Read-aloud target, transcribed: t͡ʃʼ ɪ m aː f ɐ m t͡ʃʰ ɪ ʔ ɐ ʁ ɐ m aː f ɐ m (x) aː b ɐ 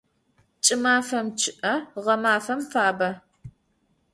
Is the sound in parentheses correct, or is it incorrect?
incorrect